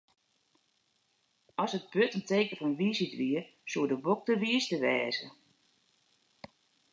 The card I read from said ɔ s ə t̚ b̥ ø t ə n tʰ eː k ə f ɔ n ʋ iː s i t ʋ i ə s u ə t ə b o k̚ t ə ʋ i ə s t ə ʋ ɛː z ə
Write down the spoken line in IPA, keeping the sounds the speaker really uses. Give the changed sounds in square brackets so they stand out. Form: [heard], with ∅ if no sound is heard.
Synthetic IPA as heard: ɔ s ə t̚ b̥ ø t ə n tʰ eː k ə f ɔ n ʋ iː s i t ʋ i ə s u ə [d] ə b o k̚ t ə ʋ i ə s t ə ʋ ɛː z ə